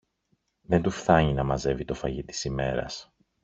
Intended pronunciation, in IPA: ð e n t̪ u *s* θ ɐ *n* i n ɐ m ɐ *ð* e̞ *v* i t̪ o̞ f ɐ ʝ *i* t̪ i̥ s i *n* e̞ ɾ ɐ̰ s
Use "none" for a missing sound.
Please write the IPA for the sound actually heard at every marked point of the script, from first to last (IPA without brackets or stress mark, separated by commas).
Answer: f, ɲ, z, v, i, m